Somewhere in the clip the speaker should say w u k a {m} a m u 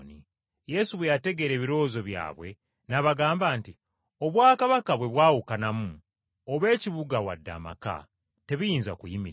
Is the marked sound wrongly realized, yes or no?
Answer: yes